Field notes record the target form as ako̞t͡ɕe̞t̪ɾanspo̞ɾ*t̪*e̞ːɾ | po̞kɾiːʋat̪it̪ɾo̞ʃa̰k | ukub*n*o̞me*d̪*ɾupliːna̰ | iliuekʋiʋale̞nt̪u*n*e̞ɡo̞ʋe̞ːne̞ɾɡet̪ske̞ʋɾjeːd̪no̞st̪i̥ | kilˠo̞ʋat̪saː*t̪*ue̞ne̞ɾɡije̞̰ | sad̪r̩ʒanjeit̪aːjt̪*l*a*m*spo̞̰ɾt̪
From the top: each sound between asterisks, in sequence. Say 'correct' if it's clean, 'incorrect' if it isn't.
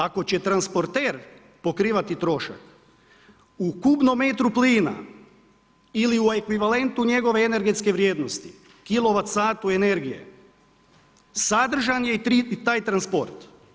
correct, correct, incorrect, incorrect, correct, incorrect, incorrect

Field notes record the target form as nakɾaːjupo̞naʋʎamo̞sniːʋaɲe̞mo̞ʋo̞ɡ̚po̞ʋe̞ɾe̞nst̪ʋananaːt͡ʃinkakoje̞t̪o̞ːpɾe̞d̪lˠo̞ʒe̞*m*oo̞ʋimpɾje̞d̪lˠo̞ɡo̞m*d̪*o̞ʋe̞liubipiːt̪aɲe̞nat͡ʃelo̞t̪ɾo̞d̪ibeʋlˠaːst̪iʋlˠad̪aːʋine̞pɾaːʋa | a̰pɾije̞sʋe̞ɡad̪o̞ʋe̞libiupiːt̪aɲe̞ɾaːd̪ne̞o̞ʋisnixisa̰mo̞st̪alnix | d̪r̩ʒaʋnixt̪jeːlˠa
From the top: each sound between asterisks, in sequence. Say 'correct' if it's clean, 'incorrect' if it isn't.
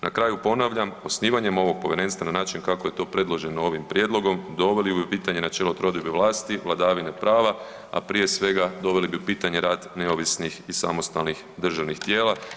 incorrect, correct

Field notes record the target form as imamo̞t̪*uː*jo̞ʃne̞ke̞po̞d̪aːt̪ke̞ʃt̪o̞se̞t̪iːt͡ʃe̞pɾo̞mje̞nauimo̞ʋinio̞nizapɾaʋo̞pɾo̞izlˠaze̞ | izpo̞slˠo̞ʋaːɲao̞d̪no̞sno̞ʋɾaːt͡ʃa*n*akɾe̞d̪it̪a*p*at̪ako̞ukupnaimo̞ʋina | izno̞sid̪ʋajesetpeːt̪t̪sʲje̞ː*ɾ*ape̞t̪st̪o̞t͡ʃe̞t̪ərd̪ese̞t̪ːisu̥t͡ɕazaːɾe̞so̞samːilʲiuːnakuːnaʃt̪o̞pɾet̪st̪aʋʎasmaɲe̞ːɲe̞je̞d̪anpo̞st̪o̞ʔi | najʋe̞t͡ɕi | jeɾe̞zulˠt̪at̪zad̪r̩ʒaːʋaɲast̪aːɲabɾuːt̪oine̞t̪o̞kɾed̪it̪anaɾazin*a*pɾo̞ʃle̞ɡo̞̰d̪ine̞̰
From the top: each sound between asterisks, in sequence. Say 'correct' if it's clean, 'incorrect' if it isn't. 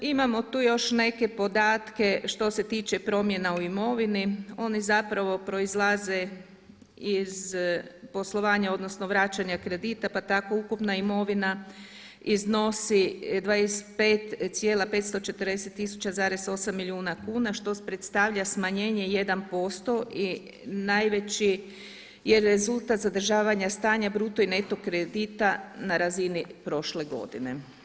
correct, incorrect, correct, incorrect, incorrect

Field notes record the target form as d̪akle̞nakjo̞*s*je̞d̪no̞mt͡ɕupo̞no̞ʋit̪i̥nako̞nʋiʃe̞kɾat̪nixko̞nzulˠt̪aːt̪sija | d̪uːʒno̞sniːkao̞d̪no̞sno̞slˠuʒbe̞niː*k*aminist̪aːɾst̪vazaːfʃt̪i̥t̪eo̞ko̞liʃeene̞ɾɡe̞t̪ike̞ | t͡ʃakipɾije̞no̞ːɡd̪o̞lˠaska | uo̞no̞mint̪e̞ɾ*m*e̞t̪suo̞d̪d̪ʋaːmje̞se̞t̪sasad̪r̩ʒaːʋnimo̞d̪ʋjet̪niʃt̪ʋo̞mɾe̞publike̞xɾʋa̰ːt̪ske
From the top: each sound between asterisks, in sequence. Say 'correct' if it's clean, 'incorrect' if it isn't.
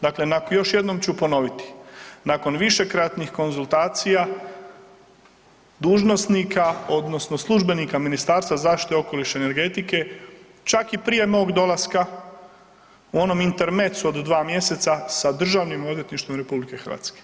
incorrect, correct, correct

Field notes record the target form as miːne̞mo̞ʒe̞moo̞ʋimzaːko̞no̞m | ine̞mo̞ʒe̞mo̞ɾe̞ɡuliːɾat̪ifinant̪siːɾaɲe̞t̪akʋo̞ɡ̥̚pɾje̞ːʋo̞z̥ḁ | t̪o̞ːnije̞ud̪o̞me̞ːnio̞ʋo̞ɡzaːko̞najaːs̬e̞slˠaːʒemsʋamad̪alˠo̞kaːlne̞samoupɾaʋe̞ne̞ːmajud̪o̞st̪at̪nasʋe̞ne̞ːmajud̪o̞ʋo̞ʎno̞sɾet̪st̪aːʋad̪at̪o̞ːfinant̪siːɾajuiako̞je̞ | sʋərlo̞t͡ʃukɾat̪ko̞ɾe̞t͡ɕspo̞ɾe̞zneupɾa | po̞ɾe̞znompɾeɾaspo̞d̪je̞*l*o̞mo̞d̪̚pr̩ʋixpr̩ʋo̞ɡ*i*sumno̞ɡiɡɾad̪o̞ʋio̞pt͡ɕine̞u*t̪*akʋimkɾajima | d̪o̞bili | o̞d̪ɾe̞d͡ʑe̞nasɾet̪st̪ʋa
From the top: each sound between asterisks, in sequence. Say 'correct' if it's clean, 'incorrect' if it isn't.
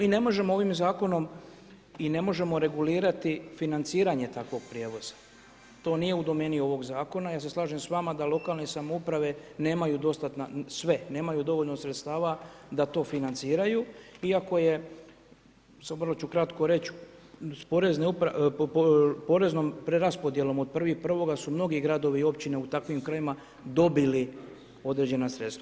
correct, incorrect, correct

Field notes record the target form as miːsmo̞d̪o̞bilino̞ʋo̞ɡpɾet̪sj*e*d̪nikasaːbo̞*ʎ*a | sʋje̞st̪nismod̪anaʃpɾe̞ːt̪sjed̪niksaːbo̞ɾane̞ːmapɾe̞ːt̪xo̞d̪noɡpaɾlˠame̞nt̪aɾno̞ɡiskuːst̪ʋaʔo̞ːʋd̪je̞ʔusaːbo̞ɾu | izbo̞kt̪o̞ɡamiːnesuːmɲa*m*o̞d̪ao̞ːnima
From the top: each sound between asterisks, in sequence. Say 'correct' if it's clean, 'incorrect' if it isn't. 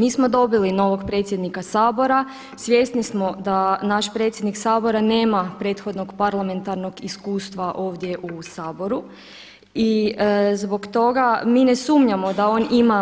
correct, incorrect, correct

